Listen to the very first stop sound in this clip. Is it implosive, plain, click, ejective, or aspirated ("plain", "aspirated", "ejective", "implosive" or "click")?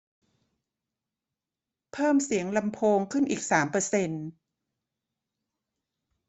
aspirated